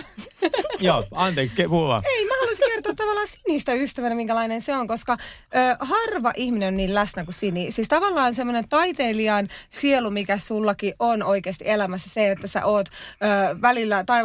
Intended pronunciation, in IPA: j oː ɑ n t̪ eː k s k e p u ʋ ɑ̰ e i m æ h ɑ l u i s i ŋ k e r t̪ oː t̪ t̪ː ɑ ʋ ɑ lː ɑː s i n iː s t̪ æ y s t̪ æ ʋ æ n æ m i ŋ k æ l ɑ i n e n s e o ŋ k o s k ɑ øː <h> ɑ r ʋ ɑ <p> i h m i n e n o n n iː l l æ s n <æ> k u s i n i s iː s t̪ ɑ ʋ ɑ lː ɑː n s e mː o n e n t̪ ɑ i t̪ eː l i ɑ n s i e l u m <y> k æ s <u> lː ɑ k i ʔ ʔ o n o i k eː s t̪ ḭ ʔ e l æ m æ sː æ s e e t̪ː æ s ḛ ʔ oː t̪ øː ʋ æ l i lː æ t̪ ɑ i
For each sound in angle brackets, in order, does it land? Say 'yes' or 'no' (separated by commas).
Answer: yes, no, yes, no, yes